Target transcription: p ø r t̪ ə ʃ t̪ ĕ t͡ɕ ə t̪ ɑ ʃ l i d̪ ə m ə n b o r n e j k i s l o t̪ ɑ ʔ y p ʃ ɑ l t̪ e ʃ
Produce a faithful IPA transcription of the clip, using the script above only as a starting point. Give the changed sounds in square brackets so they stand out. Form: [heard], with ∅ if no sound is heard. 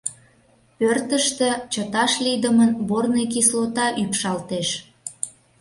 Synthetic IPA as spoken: p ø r t̪ ə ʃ t̪ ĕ t͡ɕ ə t̪ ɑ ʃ l i d̪ ə m ə n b o r n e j k i s l o t̪ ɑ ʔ y p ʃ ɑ l t̪ e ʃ